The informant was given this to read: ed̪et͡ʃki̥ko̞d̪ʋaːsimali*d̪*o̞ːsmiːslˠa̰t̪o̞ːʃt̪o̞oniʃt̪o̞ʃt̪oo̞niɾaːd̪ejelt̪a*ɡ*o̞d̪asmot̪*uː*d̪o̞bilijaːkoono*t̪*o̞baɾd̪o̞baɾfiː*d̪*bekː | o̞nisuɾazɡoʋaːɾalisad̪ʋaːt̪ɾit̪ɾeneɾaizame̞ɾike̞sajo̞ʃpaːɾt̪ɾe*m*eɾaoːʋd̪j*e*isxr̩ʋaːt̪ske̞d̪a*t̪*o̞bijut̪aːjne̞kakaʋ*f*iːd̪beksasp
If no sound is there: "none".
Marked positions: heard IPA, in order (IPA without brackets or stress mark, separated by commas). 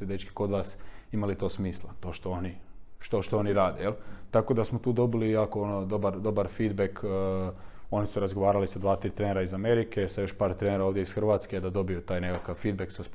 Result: t̪, k, uː, d̪, d̪, n, e, d̪, f